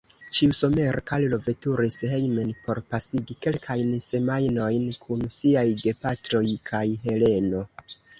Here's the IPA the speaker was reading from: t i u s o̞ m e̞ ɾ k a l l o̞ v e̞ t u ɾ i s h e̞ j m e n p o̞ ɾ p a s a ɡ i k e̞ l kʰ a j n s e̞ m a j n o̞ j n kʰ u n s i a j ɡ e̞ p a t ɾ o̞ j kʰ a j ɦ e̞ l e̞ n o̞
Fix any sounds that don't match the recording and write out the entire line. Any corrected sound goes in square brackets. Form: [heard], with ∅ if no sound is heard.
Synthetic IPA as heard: [t͡ʃ] i u s o̞ m e̞ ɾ k a l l o̞ v e̞ t u ɾ i s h e̞ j m e n p o̞ ɾ p a s [i] ɡ i k e̞ l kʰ a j n s e̞ m a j n o̞ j n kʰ u n s i a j ɡ e̞ p a t ɾ o̞ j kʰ a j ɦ e̞ l e̞ n o̞